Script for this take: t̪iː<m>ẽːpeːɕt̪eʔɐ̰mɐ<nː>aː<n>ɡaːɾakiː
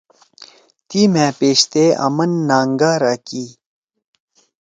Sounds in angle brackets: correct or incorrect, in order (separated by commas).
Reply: correct, correct, incorrect